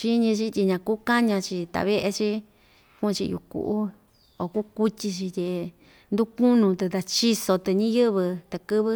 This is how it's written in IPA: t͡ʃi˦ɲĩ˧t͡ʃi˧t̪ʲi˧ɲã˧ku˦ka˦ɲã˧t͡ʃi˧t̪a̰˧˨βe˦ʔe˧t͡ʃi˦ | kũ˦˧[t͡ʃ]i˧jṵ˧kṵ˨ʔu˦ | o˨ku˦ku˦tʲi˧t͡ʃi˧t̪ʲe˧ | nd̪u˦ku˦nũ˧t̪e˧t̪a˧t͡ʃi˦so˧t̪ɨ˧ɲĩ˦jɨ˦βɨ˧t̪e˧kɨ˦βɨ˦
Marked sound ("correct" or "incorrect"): correct